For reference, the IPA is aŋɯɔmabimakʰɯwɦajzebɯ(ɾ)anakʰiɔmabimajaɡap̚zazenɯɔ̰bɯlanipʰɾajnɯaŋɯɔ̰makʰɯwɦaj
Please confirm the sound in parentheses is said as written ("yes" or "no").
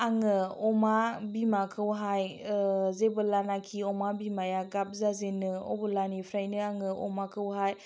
no